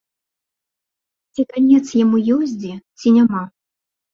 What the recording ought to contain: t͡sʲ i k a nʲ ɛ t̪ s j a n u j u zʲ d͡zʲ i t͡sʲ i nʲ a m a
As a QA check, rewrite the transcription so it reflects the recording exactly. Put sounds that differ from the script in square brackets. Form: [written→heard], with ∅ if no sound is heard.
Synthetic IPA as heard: t͡sʲ i k a nʲ ɛ t̪ s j a [n→m] u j [u→ɔ] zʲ d͡zʲ i t͡sʲ i nʲ a m a